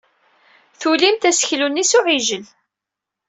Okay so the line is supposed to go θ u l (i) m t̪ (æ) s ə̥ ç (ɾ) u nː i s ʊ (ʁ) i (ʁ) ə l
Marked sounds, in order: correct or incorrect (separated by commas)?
correct, correct, incorrect, incorrect, incorrect